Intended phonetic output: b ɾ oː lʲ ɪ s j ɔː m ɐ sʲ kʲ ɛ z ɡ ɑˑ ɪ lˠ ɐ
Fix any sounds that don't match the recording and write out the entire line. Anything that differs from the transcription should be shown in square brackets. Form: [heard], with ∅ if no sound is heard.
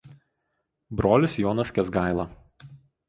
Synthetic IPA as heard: b ɾ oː lʲ ɪ s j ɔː [n] ɐ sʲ kʲ ɛ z ɡ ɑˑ ɪ lˠ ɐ